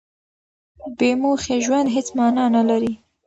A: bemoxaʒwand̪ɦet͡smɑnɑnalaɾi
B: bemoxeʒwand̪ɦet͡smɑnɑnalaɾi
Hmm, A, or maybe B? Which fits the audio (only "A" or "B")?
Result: B